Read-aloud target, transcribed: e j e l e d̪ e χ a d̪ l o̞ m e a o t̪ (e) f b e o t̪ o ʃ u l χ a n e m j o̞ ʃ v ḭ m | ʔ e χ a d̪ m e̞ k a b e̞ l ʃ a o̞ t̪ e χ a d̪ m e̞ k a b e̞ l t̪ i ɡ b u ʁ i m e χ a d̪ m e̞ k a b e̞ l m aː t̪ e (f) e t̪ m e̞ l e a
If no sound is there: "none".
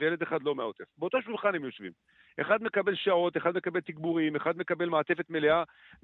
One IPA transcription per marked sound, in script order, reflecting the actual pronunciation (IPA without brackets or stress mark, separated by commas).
e, f